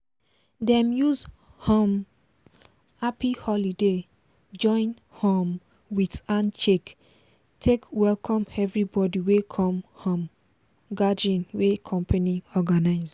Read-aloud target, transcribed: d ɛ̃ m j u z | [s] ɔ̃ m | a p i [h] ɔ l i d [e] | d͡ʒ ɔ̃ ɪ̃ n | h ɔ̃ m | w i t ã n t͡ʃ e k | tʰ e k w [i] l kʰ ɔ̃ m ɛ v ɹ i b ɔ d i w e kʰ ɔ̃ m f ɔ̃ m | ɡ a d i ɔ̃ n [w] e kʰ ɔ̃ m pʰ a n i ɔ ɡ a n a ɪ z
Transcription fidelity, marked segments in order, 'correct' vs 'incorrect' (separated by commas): incorrect, correct, correct, incorrect, correct